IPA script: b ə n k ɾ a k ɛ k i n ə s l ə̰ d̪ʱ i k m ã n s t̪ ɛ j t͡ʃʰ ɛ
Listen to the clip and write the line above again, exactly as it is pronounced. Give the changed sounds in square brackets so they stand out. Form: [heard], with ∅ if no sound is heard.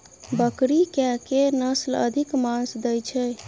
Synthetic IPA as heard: b ə [∅] k ɾ [i] k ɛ k [e] n ə s l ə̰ d̪ʱ i k m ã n s [d̪] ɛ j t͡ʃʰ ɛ